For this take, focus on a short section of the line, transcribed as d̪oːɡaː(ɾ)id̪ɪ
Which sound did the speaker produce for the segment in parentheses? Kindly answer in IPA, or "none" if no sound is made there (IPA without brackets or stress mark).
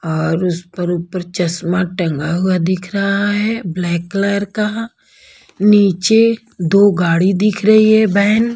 ɽ